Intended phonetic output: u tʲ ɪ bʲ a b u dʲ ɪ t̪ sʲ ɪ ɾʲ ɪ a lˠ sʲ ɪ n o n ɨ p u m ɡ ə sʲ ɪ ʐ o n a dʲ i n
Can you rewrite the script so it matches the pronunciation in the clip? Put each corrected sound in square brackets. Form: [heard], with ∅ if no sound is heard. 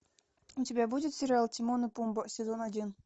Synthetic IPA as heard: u tʲ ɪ bʲ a b u dʲ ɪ t̪ sʲ ɪ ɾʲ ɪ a lˠ [tʲ] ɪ [m] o n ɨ p u m [b] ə sʲ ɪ [z] o n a dʲ i n